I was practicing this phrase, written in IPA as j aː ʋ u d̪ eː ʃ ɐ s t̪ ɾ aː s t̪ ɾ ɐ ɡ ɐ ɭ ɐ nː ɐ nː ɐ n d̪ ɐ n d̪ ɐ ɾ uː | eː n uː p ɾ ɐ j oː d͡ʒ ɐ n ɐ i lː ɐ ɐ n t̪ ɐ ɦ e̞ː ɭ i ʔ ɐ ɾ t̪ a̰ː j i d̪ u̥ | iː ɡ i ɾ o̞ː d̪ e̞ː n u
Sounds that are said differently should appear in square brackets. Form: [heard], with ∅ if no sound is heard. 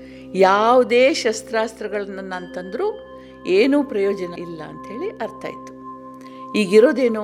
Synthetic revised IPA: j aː ʋ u d̪ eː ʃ ɐ s t̪ ɾ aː s t̪ ɾ ɐ ɡ ɐ ɭ ɐ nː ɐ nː ɐ n [t̪] ɐ n d̪ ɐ ɾ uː | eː n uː p ɾ ɐ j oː d͡ʒ ɐ n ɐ i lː ɐ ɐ n t̪ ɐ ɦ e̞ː ɭ i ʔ ɐ ɾ t̪ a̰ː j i [t̪] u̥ | iː ɡ i ɾ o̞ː d̪ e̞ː n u